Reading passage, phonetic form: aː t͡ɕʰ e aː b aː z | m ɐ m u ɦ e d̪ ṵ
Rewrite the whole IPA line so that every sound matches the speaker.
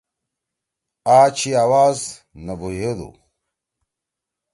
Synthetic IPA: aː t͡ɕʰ i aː w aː z | n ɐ b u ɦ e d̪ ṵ